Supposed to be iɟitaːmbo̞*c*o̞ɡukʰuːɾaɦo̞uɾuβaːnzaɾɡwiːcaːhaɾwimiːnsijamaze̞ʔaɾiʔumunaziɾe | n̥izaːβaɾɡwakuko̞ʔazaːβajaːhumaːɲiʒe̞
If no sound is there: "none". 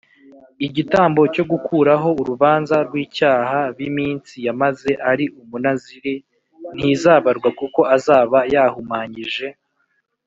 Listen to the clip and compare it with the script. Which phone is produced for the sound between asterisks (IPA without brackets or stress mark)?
c